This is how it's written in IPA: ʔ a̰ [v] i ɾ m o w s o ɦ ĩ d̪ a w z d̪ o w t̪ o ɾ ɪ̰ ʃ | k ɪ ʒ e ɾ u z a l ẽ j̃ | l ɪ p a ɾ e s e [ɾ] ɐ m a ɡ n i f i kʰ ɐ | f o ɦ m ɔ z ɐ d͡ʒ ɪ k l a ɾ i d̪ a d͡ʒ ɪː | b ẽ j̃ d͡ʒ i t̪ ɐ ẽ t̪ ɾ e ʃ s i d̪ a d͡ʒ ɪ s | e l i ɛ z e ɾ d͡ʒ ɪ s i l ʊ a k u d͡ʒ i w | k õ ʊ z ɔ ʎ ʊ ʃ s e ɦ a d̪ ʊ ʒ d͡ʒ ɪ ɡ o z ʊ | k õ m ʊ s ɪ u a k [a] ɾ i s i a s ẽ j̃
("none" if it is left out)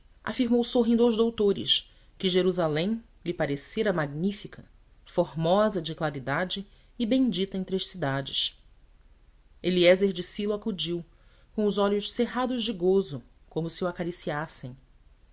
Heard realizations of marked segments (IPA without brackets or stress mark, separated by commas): f, ɾ, a